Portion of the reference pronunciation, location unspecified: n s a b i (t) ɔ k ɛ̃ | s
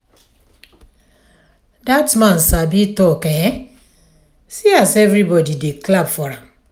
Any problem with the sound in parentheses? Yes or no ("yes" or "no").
no